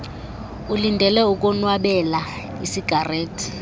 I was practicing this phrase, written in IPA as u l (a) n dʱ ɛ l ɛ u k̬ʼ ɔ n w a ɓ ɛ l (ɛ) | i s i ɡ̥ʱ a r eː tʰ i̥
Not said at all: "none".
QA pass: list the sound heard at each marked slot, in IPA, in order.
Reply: i, a

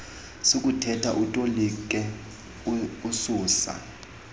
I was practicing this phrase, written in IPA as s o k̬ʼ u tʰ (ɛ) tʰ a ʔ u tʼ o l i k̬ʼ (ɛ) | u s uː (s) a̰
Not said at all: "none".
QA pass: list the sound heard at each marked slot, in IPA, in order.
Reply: ɛ, ɛ, s

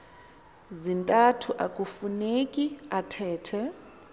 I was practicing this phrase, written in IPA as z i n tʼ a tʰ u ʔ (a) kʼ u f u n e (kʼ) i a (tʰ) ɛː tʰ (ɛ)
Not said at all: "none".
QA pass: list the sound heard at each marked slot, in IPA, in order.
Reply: a, kʼ, tʰ, ɛ

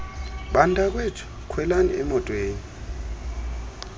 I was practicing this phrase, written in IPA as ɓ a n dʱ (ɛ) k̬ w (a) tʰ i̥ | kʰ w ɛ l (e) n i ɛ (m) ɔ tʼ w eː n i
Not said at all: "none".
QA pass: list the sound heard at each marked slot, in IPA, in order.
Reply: a, e, a, m

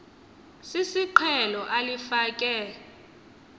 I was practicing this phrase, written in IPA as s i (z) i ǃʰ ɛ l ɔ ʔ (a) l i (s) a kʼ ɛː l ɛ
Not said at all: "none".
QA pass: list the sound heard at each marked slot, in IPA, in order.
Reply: s, a, f

